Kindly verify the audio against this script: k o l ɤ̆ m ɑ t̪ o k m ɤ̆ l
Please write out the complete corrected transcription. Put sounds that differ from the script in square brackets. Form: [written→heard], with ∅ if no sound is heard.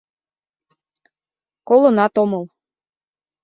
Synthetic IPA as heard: k o l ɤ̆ [m→n] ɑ t̪ o [k→∅] m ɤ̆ l